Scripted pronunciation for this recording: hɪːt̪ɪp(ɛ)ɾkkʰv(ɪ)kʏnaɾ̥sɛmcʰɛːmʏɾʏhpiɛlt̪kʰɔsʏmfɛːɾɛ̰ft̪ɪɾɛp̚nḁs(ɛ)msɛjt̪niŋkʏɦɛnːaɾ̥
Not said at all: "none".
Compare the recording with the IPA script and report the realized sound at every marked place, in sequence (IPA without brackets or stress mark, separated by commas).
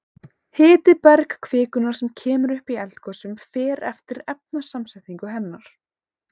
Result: ɛ, ɪː, a